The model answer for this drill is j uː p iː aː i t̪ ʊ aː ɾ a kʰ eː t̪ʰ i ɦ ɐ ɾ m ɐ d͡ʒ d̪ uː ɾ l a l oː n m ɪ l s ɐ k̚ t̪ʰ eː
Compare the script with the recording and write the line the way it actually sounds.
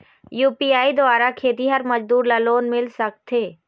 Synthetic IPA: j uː p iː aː i d̪ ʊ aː ɾ a kʰ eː t̪ i ɦ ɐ ɾ m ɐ d͡ʒ d̪ uː ɾ l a l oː n m ɪ l s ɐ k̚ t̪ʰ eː